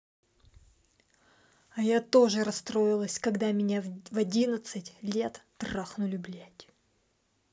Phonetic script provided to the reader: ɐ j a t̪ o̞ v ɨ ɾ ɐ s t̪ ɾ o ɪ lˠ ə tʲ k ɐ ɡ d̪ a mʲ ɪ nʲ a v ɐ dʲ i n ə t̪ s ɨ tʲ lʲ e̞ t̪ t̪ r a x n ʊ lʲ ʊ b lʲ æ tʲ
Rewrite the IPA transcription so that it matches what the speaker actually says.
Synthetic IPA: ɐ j a t̪ o̞ ʐ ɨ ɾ ɐ s t̪ ɾ o ɪ lˠ ə sʲ k ɐ ɡ d̪ a mʲ ɪ nʲ a v ɐ dʲ i n ə t̪ s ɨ tʲ lʲ e̞ t̪ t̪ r a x n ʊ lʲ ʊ b lʲ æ tʲ